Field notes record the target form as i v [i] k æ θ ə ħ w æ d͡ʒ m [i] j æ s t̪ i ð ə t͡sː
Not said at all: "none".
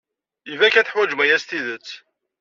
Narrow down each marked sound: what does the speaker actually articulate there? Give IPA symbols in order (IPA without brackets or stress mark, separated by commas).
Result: æ, æ